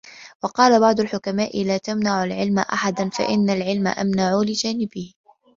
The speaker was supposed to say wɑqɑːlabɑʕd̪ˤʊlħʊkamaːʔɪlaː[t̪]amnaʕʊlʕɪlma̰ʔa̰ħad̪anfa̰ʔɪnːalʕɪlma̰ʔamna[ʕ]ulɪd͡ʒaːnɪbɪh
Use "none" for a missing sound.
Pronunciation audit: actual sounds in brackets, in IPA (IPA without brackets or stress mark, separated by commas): t̪, ʕ